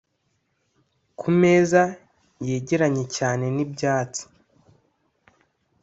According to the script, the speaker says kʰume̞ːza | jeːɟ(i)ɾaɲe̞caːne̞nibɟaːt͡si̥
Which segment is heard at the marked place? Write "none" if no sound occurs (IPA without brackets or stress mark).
e